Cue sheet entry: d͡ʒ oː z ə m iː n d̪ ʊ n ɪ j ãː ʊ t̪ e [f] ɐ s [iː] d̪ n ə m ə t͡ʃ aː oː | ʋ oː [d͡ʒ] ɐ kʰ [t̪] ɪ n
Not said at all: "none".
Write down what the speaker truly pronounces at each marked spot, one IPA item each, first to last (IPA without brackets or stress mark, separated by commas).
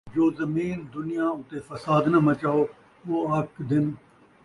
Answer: f, aː, none, d̪